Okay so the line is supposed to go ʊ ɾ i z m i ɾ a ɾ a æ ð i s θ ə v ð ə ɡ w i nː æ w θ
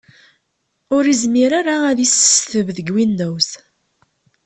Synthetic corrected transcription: ʊ ɾ i z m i ɾ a ɾ a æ ð i s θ ə v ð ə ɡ w i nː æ w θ